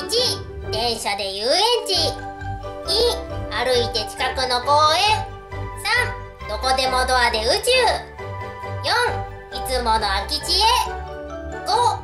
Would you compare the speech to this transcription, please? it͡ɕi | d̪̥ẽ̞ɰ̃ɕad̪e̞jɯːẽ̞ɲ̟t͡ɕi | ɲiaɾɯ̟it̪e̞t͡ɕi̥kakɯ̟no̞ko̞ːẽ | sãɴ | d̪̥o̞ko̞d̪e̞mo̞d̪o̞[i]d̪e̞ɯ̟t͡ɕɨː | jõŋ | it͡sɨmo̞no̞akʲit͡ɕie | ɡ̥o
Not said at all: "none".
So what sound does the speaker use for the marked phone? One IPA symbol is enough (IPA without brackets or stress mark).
a